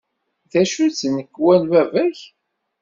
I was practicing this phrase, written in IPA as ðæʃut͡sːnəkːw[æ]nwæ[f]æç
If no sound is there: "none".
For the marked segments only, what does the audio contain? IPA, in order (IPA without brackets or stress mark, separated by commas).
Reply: æ, v